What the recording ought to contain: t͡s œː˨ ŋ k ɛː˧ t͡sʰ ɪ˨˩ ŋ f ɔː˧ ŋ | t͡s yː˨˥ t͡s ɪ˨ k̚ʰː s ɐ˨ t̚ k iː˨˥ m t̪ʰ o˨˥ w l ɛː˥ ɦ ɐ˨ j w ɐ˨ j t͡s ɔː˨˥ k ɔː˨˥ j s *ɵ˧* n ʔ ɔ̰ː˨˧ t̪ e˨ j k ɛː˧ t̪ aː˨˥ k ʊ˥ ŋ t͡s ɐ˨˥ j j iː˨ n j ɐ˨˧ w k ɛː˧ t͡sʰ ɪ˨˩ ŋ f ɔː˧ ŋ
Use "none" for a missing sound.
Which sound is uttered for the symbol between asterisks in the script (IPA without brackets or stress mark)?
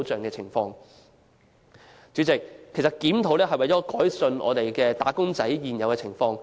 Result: ɵ˧